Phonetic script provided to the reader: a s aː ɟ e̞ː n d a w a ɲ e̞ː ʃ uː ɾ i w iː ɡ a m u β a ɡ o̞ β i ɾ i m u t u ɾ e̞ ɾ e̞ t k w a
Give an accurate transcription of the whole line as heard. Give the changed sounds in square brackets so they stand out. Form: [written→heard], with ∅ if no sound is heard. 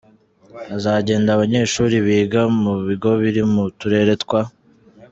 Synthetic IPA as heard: a [s→z] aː ɟ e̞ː n d a [w→β] a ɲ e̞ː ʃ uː ɾ i [w→β] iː ɡ a m u β [a→i] ɡ o̞ β i ɾ i m u t u ɾ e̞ ɾ e̞ t k w a